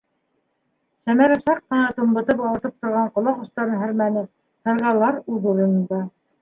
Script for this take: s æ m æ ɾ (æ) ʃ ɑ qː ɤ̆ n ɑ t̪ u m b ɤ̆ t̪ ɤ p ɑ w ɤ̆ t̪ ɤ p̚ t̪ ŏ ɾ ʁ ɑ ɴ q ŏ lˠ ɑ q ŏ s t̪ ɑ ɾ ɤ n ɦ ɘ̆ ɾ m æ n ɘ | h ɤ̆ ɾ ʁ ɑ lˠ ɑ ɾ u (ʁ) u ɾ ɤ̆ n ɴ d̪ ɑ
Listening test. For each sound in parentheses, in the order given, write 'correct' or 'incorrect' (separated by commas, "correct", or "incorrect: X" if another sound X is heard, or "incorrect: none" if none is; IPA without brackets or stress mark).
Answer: correct, incorrect: ð